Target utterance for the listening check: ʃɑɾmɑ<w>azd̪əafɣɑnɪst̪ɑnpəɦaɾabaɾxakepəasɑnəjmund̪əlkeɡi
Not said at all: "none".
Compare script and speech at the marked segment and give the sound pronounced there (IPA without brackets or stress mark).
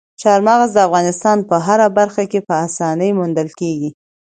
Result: ɣ